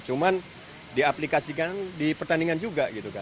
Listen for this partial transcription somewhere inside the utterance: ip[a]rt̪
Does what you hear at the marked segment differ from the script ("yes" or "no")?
yes